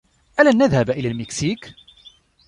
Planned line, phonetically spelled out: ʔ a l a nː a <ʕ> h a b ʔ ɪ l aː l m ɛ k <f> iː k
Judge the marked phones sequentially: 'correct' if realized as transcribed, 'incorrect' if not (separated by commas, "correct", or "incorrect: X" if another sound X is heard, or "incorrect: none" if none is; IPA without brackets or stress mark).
incorrect: ð, incorrect: s